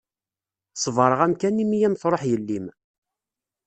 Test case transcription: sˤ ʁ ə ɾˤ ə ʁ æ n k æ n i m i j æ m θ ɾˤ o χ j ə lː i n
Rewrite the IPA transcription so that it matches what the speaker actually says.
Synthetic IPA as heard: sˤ v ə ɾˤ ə ʁ æ m k æ n i m i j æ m θ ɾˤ o ħ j ə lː i m

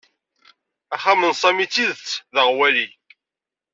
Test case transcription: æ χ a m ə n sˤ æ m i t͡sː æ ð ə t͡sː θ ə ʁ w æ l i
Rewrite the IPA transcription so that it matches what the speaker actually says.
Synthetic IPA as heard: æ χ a m ə n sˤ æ m i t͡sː i ð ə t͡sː ð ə ʁ w æ l i

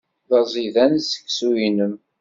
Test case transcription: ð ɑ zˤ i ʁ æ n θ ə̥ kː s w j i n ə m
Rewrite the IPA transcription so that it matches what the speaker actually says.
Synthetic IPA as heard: ð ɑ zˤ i ð æ n s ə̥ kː s u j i n ə m

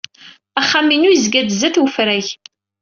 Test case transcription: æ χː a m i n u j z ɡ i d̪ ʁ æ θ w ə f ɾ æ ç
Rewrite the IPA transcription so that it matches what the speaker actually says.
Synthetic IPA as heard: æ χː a m i n u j z ɡ æ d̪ z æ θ w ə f ɾ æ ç

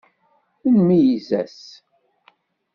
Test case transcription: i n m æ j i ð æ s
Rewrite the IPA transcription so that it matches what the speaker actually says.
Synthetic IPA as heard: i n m i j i z æ s

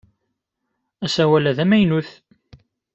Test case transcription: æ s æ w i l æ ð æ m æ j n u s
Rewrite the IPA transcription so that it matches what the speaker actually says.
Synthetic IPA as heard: æ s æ w æ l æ ð æ m æ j n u θ

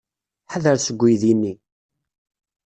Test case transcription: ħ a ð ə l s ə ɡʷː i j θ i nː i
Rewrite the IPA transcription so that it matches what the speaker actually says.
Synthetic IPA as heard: ħ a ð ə ɾ s ə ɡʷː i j ð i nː i

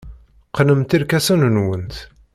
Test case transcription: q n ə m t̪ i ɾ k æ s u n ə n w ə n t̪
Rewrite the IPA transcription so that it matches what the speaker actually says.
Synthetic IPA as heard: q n ə m t̪ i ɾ k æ s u n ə n w ə n t̪

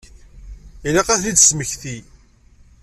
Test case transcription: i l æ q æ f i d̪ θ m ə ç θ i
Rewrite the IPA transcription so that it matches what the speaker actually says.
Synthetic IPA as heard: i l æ q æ θ i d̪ s m ə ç θ i

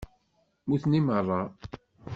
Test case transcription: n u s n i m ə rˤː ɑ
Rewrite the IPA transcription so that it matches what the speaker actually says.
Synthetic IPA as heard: m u θ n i m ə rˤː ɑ

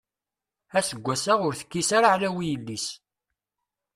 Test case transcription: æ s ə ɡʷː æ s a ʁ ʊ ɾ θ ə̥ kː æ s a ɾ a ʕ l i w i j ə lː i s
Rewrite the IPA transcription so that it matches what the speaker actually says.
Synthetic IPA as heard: æ s ə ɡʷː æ s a ʁ ʊ ɾ θ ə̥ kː i s a ɾ a ʕ l æ w i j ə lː i s

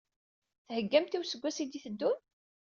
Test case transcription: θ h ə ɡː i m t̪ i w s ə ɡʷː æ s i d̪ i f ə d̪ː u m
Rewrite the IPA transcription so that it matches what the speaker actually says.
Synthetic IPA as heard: θ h ə ɡː æ m t̪ i w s ə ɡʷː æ s i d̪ i θ ə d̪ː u n

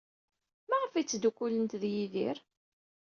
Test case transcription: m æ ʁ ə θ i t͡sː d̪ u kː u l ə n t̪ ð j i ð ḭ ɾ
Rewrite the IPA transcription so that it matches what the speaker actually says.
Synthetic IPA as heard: m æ ʁ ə f i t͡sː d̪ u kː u l ə n t̪ ð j i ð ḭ ɾ

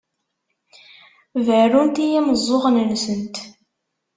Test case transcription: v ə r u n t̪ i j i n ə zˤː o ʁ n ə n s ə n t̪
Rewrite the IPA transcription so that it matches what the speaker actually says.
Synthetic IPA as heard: v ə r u n t̪ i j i m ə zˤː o ʁ n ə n s ə n t̪

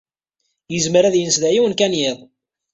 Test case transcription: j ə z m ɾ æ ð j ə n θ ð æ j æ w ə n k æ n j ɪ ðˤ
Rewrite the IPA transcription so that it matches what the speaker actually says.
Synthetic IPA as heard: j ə z m ɾ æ ð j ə n s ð æ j i w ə n k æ n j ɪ ðˤ

